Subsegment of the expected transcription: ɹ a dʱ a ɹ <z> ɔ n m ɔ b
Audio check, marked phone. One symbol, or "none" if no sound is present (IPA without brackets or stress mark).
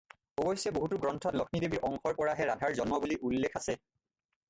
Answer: z